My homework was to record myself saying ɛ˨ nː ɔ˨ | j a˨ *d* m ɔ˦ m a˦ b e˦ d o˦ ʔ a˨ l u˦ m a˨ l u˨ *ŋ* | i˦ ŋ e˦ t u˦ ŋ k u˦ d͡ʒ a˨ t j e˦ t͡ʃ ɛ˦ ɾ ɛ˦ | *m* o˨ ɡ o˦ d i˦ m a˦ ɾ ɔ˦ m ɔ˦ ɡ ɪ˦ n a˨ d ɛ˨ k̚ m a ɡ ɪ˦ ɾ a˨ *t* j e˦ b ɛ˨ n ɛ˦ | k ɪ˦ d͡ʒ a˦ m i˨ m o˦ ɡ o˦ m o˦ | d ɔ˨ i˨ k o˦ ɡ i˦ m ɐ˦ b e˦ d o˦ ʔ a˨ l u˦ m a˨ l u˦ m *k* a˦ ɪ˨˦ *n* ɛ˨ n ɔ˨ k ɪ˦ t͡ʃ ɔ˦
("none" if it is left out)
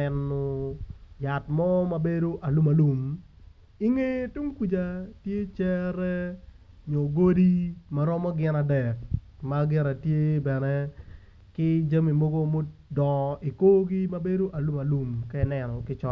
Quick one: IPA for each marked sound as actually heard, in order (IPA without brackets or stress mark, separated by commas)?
t, m, ɲ, t, k, n